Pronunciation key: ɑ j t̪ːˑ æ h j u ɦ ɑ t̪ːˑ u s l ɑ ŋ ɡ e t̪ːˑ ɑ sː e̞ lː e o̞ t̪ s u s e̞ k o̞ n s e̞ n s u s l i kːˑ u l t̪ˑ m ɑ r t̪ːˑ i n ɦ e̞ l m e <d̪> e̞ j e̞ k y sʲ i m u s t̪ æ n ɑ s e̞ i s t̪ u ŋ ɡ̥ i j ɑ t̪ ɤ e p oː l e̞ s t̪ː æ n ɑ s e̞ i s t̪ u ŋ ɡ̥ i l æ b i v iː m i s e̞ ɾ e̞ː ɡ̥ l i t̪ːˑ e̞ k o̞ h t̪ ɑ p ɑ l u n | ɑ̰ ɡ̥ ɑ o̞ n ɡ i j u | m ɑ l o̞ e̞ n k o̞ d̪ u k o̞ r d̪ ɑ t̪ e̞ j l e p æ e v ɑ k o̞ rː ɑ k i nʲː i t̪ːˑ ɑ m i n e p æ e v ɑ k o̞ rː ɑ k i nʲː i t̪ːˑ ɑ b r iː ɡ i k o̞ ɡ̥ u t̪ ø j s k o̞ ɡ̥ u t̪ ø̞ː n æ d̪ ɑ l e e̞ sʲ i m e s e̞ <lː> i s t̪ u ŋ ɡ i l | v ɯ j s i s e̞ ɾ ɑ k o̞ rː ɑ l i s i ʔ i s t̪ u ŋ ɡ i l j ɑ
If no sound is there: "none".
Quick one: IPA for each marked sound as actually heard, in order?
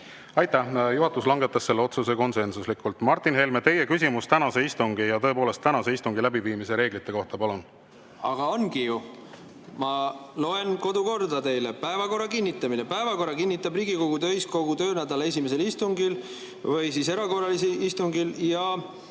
t̪, l

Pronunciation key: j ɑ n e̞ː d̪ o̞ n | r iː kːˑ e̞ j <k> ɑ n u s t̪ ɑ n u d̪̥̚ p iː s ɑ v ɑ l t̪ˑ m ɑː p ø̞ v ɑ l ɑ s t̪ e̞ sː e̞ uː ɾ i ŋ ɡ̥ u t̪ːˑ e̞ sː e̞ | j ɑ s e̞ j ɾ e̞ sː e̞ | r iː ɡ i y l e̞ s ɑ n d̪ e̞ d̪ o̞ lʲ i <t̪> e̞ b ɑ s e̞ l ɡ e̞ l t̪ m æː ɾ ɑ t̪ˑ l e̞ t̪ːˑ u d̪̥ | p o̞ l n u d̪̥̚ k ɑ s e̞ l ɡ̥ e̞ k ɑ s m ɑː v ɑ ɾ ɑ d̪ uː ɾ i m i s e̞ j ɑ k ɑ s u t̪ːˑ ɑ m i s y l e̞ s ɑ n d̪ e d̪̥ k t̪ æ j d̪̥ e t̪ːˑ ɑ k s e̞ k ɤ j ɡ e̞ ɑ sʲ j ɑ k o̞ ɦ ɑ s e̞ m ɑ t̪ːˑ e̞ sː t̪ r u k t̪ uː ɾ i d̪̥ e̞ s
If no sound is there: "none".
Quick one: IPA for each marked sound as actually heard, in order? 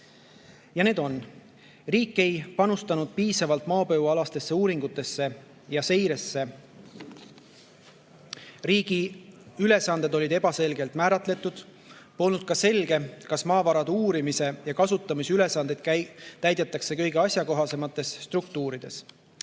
p, d̪

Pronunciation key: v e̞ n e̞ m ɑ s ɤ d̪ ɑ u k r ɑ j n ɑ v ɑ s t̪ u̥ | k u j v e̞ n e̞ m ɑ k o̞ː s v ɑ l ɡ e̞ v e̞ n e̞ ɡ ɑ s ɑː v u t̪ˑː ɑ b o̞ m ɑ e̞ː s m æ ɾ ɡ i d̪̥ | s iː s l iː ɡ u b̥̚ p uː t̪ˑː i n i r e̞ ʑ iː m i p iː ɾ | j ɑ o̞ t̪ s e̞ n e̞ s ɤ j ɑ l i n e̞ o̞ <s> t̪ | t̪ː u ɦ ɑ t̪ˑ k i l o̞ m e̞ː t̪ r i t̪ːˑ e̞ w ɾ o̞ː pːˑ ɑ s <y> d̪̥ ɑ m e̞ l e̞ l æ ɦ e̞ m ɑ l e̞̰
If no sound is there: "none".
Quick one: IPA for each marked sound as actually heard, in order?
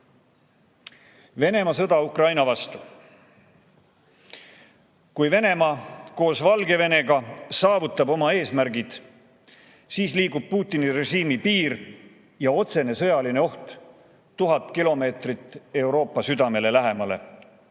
h, y

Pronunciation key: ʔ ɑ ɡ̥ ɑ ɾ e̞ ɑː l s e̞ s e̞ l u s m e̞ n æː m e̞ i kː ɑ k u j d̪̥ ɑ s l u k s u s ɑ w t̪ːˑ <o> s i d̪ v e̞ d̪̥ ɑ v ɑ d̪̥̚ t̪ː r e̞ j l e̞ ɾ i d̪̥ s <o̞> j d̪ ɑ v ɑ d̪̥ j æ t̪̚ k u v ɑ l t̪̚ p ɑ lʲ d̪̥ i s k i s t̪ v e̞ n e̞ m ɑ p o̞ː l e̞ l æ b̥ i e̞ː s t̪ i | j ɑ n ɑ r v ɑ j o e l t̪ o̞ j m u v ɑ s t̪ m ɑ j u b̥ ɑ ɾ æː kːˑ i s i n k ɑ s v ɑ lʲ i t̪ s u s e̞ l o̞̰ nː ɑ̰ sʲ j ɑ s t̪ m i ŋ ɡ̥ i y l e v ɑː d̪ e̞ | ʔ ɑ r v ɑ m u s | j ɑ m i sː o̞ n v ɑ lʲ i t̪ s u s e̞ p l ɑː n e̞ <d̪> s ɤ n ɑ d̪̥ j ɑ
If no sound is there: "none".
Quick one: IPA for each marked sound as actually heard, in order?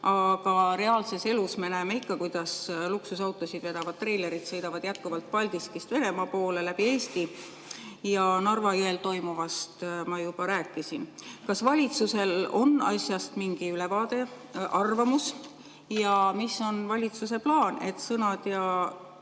o, ɤ̞, t̪

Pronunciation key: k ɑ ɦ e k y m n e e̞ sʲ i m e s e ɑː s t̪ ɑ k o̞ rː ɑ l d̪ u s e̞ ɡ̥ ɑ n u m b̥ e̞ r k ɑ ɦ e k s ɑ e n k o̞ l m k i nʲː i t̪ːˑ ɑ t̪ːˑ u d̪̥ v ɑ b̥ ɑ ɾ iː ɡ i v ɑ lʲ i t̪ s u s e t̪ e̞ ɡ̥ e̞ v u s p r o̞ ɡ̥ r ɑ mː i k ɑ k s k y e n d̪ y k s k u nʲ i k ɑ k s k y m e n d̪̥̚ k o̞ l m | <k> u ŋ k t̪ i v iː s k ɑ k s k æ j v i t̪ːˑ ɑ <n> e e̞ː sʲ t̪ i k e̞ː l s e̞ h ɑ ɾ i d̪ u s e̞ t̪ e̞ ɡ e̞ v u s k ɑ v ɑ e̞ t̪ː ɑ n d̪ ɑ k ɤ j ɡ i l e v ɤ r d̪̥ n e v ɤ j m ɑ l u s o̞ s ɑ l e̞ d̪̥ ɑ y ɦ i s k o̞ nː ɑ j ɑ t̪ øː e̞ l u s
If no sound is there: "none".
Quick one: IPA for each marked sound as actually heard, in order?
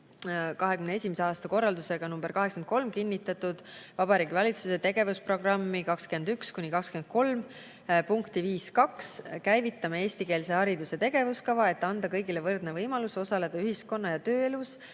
p, m

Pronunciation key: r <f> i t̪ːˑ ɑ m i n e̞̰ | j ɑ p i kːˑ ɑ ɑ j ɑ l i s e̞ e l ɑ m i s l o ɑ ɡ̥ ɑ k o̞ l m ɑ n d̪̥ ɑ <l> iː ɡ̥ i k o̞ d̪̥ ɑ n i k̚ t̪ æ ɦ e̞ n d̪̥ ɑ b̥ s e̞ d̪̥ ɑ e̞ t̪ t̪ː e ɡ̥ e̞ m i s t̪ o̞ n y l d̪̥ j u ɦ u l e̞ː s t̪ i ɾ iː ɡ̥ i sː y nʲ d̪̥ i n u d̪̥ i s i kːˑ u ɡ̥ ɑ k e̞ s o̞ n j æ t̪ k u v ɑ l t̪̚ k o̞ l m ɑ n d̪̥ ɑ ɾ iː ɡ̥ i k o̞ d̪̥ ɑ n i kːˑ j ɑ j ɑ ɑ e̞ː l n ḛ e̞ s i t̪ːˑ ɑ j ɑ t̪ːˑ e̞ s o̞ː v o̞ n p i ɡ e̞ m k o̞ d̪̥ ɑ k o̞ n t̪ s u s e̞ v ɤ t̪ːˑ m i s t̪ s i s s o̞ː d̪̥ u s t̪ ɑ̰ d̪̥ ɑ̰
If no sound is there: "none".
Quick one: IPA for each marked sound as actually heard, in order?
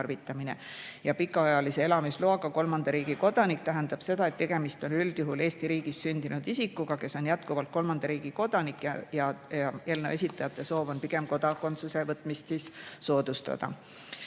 v, ɾ

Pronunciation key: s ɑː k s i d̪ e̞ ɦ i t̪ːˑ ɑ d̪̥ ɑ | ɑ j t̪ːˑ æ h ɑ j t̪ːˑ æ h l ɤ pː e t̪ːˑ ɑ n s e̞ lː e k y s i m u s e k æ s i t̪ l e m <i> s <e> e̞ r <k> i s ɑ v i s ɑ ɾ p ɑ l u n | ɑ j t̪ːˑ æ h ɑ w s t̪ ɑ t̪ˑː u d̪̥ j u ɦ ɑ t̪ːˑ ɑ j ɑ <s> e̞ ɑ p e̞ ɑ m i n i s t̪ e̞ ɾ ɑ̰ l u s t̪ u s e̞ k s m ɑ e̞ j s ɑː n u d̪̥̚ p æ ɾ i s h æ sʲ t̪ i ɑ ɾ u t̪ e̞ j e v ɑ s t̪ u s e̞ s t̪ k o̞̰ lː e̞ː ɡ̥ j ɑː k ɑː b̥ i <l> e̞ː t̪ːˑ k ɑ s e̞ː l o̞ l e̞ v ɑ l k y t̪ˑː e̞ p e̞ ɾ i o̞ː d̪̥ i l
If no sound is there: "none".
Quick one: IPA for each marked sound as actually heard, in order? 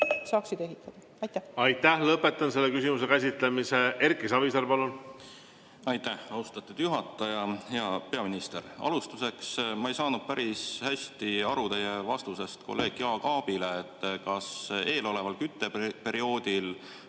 i, e, k, h, l

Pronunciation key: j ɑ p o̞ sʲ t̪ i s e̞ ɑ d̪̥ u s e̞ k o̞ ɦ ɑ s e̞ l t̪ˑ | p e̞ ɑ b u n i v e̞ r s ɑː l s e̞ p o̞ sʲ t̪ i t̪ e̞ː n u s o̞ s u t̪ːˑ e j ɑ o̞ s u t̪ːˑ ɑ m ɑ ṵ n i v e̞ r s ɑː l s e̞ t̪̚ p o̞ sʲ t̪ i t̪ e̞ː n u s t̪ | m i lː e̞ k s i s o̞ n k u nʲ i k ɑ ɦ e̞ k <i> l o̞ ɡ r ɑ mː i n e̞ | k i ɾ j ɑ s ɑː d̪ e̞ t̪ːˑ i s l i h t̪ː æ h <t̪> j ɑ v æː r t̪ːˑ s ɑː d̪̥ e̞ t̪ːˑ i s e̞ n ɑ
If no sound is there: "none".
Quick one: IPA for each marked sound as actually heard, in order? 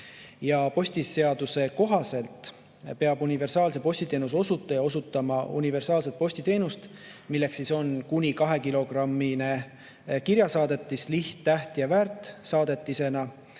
i, t̪

